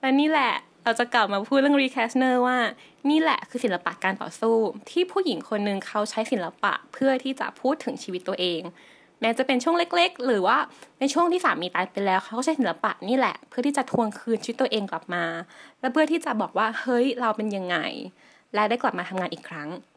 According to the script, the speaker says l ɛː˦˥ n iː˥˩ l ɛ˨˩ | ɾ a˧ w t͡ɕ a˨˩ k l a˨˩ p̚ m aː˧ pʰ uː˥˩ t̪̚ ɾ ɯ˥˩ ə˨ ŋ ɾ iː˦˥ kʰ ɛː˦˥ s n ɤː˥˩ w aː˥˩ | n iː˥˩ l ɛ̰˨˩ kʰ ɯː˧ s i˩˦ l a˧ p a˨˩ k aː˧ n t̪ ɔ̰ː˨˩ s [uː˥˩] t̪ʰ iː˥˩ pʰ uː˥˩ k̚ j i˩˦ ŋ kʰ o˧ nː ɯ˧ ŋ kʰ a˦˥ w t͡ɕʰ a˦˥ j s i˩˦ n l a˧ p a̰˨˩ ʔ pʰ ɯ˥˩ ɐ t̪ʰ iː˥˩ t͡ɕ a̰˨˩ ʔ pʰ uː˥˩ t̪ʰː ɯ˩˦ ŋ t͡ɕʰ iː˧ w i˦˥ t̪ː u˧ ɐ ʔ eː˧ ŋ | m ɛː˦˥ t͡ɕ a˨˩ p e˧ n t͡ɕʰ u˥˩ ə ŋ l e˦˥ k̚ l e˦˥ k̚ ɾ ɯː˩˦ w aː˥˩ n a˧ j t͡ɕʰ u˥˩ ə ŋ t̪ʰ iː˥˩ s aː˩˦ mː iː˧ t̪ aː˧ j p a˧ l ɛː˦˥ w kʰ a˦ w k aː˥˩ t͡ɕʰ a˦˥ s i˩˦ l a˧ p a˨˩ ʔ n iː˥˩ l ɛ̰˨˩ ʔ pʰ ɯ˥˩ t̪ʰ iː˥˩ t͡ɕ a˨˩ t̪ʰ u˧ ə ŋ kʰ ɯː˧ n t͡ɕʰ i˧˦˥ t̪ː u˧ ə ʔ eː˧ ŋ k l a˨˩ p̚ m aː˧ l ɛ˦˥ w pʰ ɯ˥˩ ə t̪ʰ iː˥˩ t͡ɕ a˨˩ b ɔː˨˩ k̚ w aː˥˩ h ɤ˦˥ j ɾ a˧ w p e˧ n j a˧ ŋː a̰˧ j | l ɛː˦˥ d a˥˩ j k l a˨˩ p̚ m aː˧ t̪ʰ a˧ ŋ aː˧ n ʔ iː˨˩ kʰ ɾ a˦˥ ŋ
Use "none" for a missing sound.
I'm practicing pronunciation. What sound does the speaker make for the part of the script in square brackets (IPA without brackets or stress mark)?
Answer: uː˥˩